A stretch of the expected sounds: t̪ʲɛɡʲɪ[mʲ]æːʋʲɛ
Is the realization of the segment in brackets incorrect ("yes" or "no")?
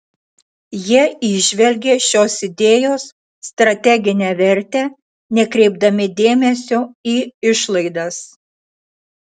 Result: yes